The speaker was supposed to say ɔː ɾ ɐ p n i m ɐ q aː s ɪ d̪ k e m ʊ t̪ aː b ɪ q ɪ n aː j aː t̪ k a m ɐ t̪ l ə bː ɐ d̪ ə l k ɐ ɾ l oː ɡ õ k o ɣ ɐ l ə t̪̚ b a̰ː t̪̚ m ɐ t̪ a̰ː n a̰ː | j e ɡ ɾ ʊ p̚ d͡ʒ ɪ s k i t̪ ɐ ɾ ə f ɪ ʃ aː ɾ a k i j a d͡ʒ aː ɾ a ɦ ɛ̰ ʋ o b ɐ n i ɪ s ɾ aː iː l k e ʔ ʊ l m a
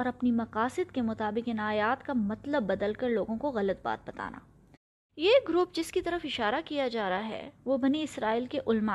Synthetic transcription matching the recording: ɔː ɾ ɐ p n i m ɐ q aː s ɪ d̪ k e m ʊ t̪ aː b ɪ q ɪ n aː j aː t̪ k a m ɐ t̪ l ə bː ɐ d̪ ə l k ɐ ɾ l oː ɡ õ k o ɣ ɐ l ə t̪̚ b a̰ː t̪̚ b ɐ t̪ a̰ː n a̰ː | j e ɡ ɾ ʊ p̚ d͡ʒ ɪ s k i t̪ ɐ ɾ ə f ɪ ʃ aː ɾ a k i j a d͡ʒ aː ɾ a ɦ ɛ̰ ʋ o b ɐ n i ɪ s ɾ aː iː l k e ʔ ʊ l m a